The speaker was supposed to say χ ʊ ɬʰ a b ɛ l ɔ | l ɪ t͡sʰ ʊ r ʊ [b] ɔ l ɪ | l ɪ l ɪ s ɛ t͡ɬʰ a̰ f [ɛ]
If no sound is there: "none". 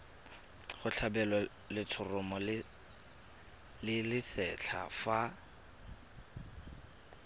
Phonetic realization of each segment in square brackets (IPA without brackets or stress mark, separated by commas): m, a